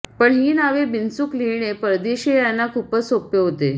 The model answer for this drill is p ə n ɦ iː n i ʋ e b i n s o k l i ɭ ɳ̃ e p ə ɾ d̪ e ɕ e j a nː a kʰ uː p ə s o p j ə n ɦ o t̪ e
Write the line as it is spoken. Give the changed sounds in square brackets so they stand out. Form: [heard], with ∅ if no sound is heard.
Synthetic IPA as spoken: p ə [ɳ] ɦ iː n [a] ʋ e b i n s [u] k l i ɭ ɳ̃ e p ə ɾ d̪ e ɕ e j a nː a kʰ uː p ə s o p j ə [∅] ɦ o t̪ e